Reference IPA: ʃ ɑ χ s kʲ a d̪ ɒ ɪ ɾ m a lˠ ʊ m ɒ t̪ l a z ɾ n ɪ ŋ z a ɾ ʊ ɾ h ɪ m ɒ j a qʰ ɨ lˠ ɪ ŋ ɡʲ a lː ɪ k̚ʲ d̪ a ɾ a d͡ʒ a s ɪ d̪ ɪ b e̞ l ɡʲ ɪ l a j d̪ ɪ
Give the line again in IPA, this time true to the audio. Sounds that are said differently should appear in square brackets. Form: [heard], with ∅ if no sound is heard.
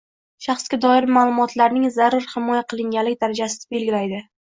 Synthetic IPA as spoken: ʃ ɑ χ s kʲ a d̪ ɒ ɪ ɾ m a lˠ ʊ m ɒ t̪ l a [∅] ɾ n ɪ ŋ z a ɾ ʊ ɾ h ɪ m ɒ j a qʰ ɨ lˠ ɪ ŋ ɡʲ a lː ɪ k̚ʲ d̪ a ɾ a d͡ʒ a s ɪ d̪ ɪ b e̞ l ɡʲ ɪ l a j d̪ ɪ